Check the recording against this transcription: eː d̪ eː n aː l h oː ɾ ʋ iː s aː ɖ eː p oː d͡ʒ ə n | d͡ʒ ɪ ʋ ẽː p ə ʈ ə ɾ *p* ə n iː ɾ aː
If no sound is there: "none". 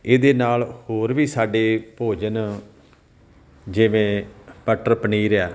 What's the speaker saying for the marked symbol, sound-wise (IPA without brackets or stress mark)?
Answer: p